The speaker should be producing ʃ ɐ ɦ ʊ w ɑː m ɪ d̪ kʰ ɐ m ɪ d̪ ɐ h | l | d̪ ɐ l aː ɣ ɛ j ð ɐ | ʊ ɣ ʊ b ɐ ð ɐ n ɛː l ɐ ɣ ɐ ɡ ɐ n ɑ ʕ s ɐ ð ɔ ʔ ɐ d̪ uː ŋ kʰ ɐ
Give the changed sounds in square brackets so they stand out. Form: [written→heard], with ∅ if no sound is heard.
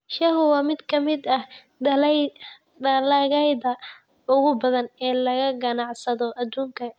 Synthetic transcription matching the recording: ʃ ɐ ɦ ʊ w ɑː m ɪ d̪ kʰ ɐ m ɪ d̪ ɐ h | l | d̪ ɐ l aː ɣ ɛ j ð ɐ | ʊ ɣ ʊ b ɐ ð ɐ n ɛː l ɐ ɣ ɐ ɡ ɐ n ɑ ʕ s ɐ ð ɔ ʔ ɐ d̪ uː ŋ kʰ ɐ